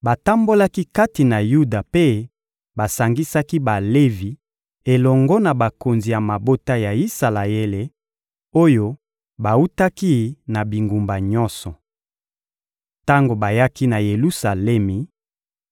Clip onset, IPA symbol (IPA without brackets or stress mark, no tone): b